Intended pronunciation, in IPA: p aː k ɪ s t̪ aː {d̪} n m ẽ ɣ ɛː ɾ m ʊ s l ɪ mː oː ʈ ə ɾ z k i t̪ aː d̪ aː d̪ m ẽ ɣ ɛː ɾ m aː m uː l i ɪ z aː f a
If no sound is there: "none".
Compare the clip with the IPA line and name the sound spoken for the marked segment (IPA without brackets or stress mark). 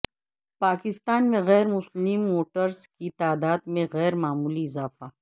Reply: none